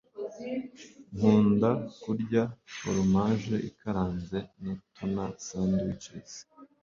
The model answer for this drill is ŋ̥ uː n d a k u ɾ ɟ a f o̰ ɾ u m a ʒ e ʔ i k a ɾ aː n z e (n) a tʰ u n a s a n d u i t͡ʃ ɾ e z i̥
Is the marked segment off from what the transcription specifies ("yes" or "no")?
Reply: no